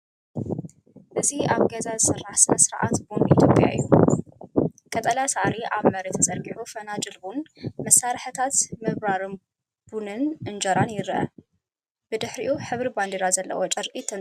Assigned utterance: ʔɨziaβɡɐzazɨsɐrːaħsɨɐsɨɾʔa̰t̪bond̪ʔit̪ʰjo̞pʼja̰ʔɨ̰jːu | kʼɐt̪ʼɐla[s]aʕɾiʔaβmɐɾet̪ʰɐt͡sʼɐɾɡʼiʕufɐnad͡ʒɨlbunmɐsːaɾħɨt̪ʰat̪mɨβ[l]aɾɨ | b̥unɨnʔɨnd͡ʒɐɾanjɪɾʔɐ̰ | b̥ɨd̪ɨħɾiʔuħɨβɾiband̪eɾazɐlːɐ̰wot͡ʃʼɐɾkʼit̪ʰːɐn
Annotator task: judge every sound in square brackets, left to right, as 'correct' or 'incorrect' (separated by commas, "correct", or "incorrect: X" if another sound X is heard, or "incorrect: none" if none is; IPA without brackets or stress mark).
correct, incorrect: ɾ